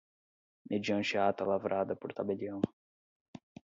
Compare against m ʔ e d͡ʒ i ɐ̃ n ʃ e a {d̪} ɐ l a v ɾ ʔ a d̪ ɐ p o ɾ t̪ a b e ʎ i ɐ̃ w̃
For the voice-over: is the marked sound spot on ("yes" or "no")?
no